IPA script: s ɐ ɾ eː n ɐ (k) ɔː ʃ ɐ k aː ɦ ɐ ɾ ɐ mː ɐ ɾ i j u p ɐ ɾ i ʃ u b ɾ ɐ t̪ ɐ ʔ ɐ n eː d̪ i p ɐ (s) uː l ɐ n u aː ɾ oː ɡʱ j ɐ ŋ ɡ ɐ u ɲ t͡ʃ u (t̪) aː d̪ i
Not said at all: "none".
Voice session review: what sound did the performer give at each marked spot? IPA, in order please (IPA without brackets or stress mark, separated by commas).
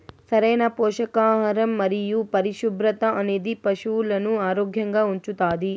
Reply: p, ʃ, t̪